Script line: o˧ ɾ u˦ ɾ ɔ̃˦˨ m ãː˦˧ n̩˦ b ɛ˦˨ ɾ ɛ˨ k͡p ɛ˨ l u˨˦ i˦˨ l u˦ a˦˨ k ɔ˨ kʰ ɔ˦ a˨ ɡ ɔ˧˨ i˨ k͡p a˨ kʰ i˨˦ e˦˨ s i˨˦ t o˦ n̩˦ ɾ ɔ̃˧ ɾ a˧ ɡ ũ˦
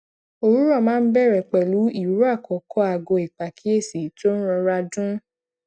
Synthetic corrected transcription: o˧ ɾ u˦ ɾ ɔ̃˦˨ m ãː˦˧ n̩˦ b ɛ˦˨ ɾ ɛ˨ k͡p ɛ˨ l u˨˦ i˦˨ ɾ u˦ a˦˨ k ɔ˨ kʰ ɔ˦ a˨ ɡ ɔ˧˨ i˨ k͡p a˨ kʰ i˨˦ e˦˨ s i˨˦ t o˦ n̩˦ ɾ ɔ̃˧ ɾ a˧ d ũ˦